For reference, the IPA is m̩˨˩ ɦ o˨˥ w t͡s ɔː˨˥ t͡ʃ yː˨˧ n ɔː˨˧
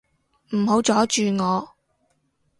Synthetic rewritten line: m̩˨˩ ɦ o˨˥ w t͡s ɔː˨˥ t͡ʃ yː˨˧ ŋ ɔː˨˧